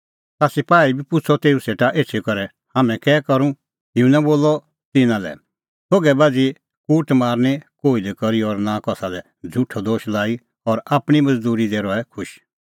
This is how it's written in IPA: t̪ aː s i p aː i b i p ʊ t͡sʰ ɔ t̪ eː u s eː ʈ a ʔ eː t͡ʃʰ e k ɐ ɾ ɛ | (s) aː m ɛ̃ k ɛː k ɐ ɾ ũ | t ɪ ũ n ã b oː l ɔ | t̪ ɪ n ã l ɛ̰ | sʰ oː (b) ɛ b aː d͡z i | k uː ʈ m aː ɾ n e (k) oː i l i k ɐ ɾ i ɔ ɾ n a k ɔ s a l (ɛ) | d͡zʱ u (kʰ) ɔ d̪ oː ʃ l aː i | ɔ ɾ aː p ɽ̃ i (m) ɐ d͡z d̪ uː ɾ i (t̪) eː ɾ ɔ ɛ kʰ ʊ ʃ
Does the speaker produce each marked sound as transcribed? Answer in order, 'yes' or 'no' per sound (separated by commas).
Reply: no, no, yes, yes, no, yes, no